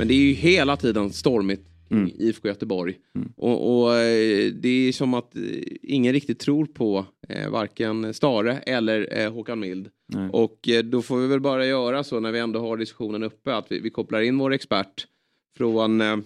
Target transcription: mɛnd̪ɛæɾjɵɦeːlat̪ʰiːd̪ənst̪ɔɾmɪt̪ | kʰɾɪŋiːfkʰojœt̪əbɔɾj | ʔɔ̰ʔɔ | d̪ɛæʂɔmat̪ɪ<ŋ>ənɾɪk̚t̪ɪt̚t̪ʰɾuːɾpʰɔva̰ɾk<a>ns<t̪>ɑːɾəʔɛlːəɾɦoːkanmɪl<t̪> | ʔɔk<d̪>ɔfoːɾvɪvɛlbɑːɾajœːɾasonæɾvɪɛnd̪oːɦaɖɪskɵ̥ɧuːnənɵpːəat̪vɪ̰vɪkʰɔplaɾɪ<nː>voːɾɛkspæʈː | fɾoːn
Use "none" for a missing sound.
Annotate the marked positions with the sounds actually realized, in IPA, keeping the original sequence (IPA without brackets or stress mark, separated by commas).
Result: ŋː, ə, t̪, d̪, d̪, nː